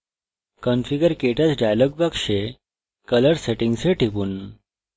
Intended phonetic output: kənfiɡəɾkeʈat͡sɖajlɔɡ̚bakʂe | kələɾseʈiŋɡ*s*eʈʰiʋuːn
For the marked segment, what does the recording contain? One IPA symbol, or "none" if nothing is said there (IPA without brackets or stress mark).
s